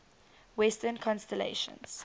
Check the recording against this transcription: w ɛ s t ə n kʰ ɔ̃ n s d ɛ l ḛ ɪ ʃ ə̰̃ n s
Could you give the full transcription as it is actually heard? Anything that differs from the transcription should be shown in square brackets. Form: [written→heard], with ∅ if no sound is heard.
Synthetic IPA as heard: w ɛ s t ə n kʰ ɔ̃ n s [d→t] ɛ l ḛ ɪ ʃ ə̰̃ n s